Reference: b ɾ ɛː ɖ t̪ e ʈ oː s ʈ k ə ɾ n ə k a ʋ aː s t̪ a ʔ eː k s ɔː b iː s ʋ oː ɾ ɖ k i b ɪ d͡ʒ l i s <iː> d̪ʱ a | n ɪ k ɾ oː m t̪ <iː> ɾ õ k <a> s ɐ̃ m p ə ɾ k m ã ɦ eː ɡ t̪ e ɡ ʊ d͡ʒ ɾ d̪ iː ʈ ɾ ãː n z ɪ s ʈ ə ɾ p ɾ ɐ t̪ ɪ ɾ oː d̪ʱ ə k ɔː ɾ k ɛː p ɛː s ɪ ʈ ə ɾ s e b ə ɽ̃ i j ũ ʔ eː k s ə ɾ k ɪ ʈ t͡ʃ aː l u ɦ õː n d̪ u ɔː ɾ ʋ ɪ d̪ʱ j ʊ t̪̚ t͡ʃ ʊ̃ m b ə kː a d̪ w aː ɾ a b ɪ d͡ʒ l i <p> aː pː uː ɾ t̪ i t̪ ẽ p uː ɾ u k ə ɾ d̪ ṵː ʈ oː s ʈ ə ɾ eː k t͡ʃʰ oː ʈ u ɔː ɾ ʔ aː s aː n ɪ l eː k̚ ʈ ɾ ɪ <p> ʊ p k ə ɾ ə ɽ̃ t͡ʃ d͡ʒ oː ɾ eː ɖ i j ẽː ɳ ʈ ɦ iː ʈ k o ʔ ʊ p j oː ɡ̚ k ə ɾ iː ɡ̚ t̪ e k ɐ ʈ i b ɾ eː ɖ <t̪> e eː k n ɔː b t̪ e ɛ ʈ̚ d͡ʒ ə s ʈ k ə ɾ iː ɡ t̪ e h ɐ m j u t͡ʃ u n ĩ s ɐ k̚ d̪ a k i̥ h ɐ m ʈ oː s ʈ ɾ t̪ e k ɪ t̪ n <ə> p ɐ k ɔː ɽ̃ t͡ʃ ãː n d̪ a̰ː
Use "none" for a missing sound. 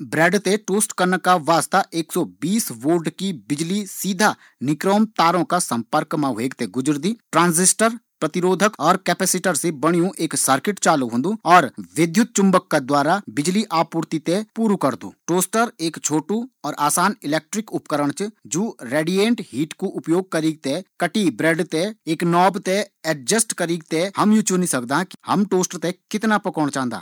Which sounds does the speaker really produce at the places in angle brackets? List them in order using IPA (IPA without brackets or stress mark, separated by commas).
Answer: iː, aː, a, ʔ, k, t̪, a